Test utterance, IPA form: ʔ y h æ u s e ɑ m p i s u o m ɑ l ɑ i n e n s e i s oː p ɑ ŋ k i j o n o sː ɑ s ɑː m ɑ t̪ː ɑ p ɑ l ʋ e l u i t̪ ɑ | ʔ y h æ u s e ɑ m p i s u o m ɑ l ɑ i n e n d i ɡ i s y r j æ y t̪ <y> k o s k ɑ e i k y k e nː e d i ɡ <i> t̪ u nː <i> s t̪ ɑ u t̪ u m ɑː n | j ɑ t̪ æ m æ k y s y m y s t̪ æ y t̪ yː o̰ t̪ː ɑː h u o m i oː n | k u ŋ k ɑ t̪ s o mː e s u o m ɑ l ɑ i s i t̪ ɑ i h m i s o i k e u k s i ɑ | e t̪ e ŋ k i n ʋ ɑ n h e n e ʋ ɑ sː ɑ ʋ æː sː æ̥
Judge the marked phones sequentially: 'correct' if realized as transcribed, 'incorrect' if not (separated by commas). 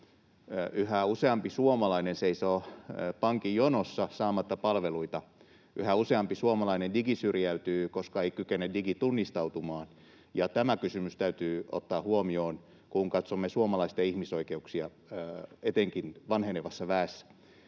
incorrect, correct, correct